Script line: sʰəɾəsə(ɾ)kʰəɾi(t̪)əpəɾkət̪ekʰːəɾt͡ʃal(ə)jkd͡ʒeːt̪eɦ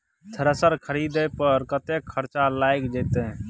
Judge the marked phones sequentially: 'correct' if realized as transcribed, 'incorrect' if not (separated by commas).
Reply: correct, incorrect, incorrect